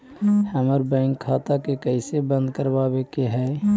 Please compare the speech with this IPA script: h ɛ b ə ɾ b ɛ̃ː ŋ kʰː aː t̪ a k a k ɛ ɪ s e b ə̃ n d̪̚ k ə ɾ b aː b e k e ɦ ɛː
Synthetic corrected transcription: h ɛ m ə ɾ b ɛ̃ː ŋ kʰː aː t̪ a k e k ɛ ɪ s e b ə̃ n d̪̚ k ə ɾ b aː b e k e ɦ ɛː